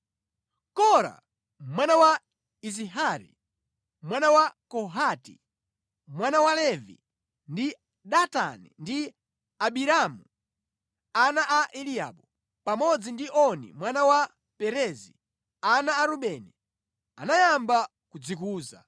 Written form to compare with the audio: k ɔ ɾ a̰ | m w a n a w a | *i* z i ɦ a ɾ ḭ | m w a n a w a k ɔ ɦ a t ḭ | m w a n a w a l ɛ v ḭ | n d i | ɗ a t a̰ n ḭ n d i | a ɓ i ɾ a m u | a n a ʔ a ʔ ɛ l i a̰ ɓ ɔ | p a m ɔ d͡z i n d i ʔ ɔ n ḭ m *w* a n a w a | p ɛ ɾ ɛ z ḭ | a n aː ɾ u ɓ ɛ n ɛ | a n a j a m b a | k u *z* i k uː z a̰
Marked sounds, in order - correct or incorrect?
correct, correct, incorrect: d͡z

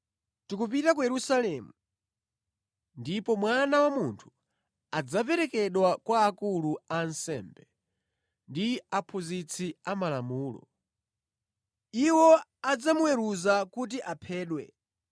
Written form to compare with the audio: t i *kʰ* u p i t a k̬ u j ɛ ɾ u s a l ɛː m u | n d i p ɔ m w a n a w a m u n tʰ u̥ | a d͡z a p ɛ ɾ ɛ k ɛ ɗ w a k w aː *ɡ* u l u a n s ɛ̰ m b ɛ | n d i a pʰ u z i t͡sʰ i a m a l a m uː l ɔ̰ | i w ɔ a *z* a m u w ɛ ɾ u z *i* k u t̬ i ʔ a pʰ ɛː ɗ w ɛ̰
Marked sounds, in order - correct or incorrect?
incorrect: k, incorrect: k, incorrect: d͡z, incorrect: a

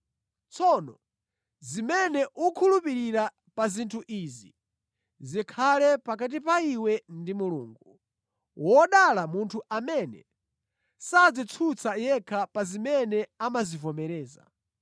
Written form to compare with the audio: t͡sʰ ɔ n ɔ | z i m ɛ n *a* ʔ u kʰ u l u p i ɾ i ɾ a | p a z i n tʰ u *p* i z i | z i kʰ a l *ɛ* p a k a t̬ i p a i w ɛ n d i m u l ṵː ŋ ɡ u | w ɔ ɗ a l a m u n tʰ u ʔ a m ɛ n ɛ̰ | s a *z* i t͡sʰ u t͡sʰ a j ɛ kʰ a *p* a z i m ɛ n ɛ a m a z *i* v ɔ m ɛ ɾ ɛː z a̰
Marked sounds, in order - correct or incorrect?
incorrect: ɛ, incorrect: ʔ, correct, incorrect: d͡z, correct, correct

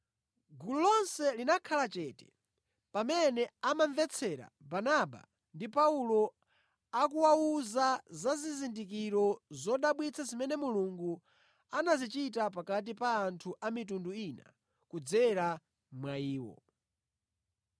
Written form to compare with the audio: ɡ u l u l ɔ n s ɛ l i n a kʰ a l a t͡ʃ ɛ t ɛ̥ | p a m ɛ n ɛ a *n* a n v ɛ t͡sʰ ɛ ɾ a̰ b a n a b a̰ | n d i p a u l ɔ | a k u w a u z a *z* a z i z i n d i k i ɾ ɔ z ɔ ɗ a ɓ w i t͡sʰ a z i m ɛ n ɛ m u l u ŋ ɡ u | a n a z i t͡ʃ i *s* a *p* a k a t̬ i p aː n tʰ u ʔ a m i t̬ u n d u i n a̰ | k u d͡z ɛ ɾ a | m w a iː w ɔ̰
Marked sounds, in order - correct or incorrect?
incorrect: m, correct, incorrect: t, correct

